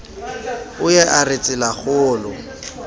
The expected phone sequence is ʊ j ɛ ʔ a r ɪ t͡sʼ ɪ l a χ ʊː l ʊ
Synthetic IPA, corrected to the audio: ʊ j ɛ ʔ a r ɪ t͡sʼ ɪ l a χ ʊː l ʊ